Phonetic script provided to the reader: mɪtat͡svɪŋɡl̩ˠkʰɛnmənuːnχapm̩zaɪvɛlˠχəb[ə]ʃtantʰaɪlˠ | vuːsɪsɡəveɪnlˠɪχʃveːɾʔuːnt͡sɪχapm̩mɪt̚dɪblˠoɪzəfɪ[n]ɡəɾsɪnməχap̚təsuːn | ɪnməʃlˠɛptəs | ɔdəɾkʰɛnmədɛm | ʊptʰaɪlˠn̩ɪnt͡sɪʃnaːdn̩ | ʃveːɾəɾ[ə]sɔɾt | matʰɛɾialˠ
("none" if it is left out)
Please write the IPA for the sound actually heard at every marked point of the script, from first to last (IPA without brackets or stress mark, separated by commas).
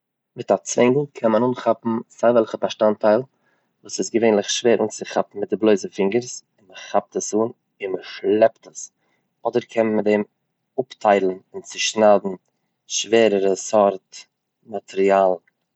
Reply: a, ŋ, ə